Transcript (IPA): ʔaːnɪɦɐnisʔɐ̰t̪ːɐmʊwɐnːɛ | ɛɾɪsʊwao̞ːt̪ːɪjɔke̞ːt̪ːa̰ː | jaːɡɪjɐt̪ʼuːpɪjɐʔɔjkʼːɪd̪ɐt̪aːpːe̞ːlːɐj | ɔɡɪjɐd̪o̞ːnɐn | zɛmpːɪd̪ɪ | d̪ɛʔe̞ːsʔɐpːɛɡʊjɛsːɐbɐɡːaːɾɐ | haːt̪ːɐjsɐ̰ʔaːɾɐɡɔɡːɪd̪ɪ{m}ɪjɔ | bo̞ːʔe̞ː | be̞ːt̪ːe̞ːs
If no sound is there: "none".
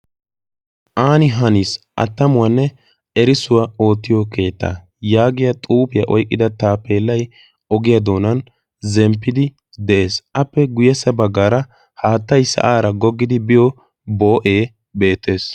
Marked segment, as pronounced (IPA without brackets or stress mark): b